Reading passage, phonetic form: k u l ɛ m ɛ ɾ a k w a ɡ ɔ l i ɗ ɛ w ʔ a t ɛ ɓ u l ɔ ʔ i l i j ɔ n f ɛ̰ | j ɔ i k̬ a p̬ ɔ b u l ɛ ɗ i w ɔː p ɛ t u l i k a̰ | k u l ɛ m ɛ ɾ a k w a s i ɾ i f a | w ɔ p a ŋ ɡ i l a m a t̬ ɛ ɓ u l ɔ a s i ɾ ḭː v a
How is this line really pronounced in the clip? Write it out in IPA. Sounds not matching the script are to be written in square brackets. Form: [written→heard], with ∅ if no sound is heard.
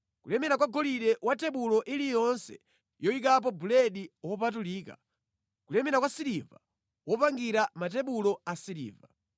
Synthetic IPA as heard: k u l ɛ m ɛ ɾ a k w a ɡ ɔ l i ɗ ɛ w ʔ a t ɛ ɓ u l ɔ ʔ i l i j ɔ n [f→s] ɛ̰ | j ɔ i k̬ a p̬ ɔ b u l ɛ ɗ i w [ɔː→ɔ] p [ɛ→a] t u l [i→iː] k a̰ | k u l ɛ m ɛ ɾ a k w a s i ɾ i [f→v] a | w ɔ p a ŋ ɡ i [l→ɾ] a m a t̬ ɛ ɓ u l ɔ a s i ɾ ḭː v a